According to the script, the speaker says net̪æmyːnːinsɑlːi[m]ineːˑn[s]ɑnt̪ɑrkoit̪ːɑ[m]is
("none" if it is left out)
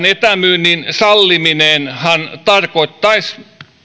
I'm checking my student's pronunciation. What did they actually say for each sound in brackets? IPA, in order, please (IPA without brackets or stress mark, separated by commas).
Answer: m, h, none